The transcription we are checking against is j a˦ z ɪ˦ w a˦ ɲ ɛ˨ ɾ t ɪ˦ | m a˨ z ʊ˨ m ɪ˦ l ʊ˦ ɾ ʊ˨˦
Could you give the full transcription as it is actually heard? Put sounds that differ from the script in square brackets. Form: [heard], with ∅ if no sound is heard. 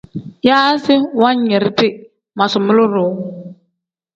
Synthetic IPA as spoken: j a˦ [s] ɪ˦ w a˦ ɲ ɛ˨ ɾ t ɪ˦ | m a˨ [s] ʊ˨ m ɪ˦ l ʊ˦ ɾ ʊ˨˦